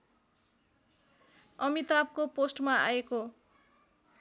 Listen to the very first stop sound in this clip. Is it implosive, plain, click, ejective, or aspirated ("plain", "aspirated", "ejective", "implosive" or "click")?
plain